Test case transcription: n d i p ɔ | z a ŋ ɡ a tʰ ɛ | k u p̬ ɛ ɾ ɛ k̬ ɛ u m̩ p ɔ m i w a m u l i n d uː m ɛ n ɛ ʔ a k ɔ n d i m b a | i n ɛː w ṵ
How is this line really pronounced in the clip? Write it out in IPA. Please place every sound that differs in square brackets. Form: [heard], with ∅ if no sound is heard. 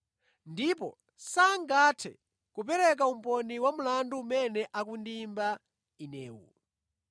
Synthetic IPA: n d i p ɔ | [s] a ŋ ɡ a tʰ ɛ | k u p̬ ɛ ɾ ɛ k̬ [a] u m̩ p ɔ [n] i w a m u l [a] n d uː m ɛ n ɛ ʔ a k [u] n d i m b a | i n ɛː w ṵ

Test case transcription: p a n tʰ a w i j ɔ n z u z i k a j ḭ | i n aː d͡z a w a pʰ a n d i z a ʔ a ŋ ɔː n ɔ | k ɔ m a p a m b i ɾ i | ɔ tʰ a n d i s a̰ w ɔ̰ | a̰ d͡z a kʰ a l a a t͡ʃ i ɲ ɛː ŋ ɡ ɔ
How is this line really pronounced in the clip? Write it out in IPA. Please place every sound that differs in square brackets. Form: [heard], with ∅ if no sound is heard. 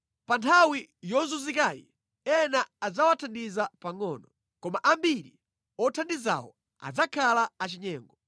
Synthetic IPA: p a n tʰ a w i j ɔ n z u z i k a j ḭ | [ɛ] n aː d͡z a w a [tʰ] a n d i z a [p] a ŋ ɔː n ɔ | k ɔ m a [ʔ] a m b i ɾ i | ɔ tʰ a n d i [z] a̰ w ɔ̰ | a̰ d͡z a kʰ a l a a t͡ʃ i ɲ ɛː ŋ ɡ ɔ

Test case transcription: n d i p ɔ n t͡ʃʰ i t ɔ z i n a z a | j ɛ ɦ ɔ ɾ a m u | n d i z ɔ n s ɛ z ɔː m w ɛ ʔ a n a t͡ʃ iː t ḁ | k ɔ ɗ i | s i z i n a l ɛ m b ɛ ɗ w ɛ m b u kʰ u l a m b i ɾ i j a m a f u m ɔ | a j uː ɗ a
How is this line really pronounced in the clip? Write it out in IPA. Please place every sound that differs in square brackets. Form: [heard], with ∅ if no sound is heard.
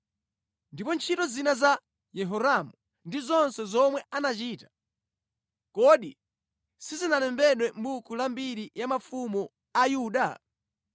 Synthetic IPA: n d i p ɔ n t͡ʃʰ i t ɔ z i n a z a | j ɛ ɦ ɔ ɾ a m u | n d i z ɔ n s ɛ z [ɔ] m w ɛ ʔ a n a t͡ʃ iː t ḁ | k ɔ ɗ i | s i z i n a l ɛ m b ɛ ɗ w ɛ m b u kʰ u l a m b i ɾ i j a m a f u m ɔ | a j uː ɗ a

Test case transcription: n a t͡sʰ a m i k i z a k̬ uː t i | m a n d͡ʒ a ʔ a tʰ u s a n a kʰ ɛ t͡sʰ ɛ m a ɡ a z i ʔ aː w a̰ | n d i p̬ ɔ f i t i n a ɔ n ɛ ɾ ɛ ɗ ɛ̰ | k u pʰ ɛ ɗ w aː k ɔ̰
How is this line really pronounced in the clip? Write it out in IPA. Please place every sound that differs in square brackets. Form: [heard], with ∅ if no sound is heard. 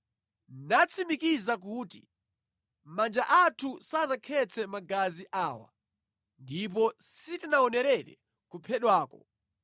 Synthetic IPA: n a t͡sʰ [i] m i k i z a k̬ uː t i | m a n d͡ʒ a ʔ a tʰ u s a n a kʰ ɛ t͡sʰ ɛ m a ɡ a z i ʔ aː w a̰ | n d i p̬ ɔ [s] i t i n a ɔ n ɛ ɾ ɛ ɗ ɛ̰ | k u pʰ ɛ ɗ w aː k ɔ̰

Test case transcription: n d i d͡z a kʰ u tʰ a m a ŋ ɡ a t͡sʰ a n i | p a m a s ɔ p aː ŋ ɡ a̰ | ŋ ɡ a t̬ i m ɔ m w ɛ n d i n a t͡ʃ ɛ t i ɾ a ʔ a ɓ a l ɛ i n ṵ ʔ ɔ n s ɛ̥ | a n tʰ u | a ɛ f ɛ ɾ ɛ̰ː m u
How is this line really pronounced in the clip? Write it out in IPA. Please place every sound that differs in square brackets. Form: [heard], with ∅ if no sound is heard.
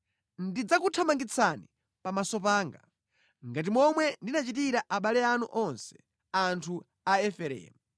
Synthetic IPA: n d i d͡z a [k] u tʰ a m a ŋ ɡ [i] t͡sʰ a n i | p a m a s ɔ p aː ŋ ɡ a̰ | ŋ ɡ a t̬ i m ɔ m w ɛ n d i n a t͡ʃ [i] t i ɾ a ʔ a ɓ a l ɛ [a] n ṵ ʔ ɔ n s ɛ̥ | a n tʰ u | a ɛ f ɛ ɾ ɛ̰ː m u

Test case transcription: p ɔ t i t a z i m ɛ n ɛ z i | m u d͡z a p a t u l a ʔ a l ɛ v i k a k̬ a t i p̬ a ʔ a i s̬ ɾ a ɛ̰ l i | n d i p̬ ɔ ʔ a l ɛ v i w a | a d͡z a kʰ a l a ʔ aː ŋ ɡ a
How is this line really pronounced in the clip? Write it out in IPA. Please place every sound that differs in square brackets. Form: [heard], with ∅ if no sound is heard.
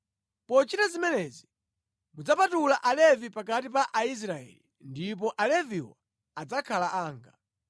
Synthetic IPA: p ɔ [t͡ʃ] i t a z i m ɛ n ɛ z i | m u d͡z a p a t u l a ʔ a l ɛ v i [p] a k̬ a t i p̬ a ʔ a i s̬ ɾ a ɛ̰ l i | n d i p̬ ɔ ʔ a l ɛ v i w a | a d͡z a kʰ a l a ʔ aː ŋ ɡ a

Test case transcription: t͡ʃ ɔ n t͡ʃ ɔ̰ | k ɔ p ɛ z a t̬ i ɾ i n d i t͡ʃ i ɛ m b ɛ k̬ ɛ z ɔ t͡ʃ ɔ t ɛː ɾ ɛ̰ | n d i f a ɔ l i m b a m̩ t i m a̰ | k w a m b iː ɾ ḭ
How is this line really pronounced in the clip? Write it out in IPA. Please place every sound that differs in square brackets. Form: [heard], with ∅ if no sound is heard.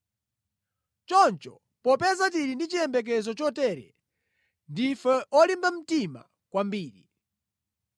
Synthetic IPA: t͡ʃ ɔ n t͡ʃ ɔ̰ | [p] ɔ p ɛ z a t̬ i ɾ i n d i t͡ʃ i ɛ m b ɛ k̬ ɛ z ɔ t͡ʃ ɔ t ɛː ɾ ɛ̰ | n d i f [ɛ] ɔ l i m b a m̩ t i m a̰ | k w a m b iː ɾ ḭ

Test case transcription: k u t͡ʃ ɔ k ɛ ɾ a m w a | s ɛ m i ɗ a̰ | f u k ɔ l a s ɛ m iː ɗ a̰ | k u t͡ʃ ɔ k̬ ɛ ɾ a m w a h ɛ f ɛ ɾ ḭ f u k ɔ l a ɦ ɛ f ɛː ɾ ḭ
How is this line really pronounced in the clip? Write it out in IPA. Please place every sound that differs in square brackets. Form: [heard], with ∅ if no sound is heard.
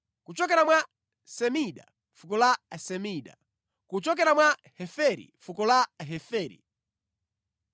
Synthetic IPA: k u t͡ʃ ɔ k ɛ ɾ a m w a | s ɛ m i ɗ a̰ | f u k ɔ l a s ɛ m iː ɗ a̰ | k u t͡ʃ ɔ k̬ ɛ ɾ a m w a h ɛ f ɛ ɾ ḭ f u k ɔ l a ɦ ɛ f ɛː ɾ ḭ

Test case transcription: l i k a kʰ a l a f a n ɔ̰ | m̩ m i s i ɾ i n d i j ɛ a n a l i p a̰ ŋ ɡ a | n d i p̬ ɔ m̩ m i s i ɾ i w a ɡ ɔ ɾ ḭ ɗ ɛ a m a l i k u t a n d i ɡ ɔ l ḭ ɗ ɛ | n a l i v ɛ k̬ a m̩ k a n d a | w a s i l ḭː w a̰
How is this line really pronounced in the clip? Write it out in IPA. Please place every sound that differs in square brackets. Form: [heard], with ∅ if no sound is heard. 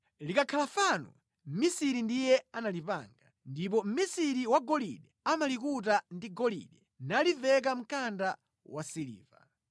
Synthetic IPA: l i k a kʰ a l a f a n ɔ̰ | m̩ m i s i ɾ i n d i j ɛ a n a l i p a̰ ŋ ɡ a | n d i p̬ ɔ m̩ m i s i ɾ i w a ɡ ɔ [l] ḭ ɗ ɛ a m a l i k u t a n d i ɡ ɔ l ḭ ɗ ɛ | n a l i v ɛ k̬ a m̩ k a n d a | w a s i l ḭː [v] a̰

